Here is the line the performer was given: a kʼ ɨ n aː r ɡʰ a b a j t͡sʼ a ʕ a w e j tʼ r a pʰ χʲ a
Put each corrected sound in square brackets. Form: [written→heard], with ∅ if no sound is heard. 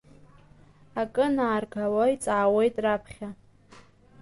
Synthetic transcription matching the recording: a kʼ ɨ n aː r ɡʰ a [b→w] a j t͡sʼ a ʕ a w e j tʼ r a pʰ χʲ a